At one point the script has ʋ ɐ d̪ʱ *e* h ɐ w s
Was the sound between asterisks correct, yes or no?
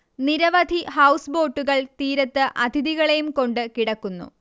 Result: no